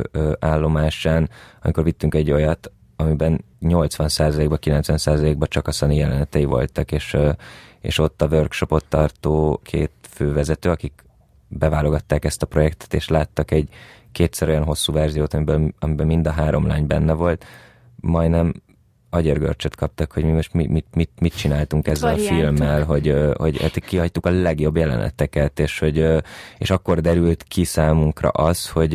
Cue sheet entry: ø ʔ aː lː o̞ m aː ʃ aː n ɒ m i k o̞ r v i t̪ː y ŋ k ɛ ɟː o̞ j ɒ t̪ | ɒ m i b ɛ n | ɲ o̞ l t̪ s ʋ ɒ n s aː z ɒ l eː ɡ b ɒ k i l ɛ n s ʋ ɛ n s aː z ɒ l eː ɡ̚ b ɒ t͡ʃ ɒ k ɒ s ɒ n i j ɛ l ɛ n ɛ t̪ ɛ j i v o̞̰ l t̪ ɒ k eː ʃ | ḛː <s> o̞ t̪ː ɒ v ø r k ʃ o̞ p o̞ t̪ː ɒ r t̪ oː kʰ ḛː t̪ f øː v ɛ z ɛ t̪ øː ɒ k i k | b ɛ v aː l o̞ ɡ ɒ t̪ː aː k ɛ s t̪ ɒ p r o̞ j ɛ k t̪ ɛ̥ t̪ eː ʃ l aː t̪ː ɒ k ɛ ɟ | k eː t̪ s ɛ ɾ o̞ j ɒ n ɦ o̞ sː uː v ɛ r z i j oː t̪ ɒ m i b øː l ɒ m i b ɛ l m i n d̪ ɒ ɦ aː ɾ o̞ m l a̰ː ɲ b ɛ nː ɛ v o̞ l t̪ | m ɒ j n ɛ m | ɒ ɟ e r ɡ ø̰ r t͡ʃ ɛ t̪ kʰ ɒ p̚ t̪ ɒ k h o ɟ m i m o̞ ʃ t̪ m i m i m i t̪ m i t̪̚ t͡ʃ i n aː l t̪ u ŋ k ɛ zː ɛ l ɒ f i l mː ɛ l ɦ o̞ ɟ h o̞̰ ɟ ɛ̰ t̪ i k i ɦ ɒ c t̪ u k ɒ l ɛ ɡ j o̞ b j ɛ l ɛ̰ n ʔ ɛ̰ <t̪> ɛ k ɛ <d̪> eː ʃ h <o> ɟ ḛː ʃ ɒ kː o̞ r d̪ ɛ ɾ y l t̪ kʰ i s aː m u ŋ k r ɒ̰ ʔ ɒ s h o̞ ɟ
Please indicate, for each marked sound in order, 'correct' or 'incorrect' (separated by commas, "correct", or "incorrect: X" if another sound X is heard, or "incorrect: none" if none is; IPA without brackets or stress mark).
incorrect: ʃ, correct, incorrect: t̪, correct